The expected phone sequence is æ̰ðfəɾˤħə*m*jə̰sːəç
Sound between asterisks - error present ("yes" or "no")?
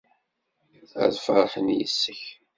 yes